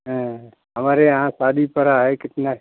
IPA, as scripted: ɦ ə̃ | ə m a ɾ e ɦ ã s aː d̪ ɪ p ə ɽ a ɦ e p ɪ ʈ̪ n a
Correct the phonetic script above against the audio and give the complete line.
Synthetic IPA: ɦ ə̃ | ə m a ɾ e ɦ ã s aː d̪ i p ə ɾ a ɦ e k ɪ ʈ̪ n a